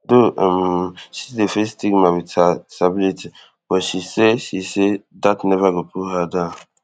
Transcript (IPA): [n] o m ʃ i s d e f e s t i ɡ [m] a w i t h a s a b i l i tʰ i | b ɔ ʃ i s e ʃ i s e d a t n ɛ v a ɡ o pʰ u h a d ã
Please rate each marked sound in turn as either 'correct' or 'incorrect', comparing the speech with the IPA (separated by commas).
incorrect, correct